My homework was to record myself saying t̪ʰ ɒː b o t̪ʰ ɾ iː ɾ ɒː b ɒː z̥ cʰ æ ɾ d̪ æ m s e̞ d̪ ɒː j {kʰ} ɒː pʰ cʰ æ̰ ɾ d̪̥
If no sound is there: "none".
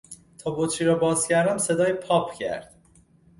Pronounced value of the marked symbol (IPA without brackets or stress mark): pʰ